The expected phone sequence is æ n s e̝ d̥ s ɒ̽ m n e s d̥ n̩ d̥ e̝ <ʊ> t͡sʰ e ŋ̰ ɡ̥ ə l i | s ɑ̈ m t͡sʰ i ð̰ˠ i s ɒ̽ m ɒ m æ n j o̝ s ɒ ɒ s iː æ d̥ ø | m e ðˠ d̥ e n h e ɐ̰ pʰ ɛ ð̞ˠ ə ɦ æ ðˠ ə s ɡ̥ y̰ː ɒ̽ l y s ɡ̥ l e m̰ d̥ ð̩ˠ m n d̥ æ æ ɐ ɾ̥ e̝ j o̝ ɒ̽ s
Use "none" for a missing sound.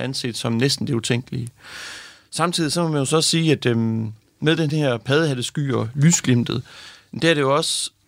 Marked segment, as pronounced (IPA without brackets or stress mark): u